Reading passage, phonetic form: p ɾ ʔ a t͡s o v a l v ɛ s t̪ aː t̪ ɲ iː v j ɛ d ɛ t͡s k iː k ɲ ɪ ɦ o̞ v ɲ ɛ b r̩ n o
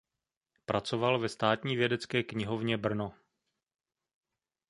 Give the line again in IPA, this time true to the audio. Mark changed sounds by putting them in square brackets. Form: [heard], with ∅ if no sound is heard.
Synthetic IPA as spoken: p ɾ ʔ a t͡s o v a l v ɛ s t̪ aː t̪ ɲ iː v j ɛ d ɛ t͡s k [ɛː] k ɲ ɪ ɦ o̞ v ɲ ɛ b r̩ n o